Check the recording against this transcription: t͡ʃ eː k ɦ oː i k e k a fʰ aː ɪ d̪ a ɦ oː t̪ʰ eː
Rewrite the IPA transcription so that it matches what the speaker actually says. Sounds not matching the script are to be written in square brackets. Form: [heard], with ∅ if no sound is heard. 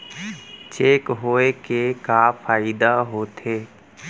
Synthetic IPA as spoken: t͡ʃ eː k ɦ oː [e] k e k a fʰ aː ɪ d̪ a ɦ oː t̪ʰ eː